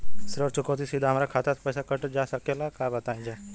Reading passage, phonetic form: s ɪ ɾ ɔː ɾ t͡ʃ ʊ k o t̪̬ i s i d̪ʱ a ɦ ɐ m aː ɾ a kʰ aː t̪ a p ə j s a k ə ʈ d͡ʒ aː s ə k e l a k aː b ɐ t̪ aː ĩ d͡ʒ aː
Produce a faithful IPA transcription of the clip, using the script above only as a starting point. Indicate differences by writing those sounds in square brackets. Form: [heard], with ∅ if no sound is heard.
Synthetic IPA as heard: s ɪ ɾ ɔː ɾ t͡ʃ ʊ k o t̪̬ i s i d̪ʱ a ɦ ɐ m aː ɾ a kʰ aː t̪ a p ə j s a k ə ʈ d͡ʒ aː s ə k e l a k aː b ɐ t̪ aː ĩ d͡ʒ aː